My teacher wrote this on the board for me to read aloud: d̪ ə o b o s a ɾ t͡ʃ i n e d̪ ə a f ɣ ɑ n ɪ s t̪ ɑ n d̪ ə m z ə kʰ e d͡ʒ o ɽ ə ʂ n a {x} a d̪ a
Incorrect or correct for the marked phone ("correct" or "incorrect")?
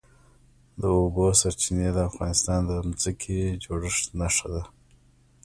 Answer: incorrect